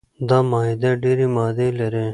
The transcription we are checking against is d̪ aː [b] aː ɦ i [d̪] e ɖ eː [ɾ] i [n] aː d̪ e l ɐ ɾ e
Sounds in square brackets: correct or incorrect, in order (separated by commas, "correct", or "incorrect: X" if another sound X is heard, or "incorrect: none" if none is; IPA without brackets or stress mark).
incorrect: m, correct, correct, incorrect: m